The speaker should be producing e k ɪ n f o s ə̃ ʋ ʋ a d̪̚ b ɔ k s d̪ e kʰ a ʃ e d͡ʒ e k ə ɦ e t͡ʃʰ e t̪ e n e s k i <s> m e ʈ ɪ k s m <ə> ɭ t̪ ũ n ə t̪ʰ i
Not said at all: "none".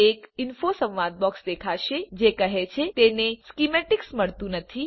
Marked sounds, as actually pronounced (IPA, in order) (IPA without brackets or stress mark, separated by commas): none, ə